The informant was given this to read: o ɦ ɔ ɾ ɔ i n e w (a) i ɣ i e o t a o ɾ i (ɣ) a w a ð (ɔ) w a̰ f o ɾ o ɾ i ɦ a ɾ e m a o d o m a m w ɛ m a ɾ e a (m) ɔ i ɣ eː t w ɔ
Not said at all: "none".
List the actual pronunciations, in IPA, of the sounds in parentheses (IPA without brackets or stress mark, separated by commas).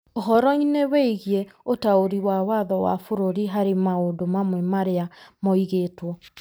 e, w, ɔ, m